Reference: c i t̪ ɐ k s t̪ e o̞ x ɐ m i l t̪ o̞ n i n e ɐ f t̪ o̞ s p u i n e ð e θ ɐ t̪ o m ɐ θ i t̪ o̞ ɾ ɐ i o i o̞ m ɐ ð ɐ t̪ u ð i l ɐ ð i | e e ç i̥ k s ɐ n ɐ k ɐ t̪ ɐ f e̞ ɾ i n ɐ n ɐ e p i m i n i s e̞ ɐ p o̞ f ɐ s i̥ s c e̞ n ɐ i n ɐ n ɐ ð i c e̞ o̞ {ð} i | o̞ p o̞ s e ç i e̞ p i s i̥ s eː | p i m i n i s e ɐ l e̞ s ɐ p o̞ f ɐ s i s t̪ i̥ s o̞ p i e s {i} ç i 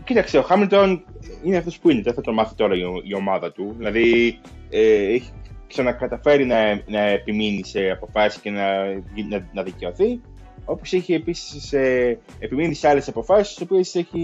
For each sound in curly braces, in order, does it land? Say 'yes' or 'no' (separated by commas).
no, no